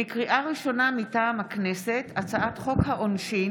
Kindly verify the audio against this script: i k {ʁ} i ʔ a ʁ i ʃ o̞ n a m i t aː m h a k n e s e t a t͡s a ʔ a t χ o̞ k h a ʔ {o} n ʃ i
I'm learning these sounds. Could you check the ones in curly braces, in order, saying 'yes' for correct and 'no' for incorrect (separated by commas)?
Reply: yes, yes